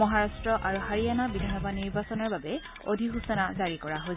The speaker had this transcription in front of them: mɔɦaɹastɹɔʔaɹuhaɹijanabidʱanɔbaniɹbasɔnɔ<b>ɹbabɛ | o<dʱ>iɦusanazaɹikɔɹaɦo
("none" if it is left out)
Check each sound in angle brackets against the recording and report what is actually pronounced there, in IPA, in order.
none, dʱ

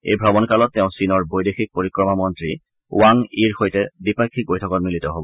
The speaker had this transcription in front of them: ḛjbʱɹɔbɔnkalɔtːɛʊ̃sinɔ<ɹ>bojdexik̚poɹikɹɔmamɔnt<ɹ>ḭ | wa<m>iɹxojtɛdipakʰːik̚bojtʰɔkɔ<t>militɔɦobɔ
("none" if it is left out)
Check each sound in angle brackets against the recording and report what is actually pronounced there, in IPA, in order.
ɹ, ɹ, ŋ, t

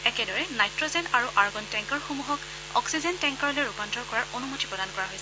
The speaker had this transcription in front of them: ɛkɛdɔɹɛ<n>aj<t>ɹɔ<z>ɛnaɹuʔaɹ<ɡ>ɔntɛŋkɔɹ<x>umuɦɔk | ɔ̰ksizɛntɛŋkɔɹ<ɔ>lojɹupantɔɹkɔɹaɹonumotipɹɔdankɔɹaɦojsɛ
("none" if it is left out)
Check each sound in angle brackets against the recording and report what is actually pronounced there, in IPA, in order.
n, t, z, ɡ, x, ɔ

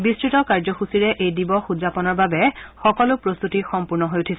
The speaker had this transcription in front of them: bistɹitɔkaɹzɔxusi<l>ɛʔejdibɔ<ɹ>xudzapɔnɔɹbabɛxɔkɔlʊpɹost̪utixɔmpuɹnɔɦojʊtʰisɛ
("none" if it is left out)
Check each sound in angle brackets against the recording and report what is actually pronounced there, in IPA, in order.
ɹ, none

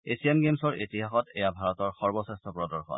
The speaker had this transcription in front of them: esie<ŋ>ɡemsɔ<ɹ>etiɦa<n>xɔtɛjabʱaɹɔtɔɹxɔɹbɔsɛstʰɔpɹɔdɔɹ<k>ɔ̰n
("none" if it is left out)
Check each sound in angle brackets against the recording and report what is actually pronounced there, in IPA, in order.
m, ɹ, none, x

